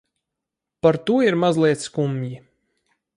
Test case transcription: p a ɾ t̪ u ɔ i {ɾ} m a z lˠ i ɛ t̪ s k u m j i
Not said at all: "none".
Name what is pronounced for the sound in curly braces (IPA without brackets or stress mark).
ɾ